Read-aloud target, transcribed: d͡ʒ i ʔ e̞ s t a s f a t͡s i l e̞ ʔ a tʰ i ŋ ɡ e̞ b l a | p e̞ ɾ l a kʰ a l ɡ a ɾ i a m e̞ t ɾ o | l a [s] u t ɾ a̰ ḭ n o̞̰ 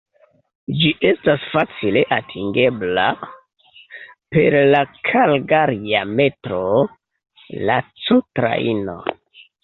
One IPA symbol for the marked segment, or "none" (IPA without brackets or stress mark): t͡s